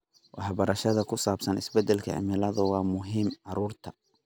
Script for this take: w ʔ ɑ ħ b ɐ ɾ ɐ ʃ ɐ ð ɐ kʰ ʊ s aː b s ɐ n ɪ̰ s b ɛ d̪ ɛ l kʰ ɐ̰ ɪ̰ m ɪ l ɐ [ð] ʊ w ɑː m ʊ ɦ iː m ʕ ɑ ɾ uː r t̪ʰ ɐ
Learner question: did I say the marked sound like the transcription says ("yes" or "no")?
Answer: yes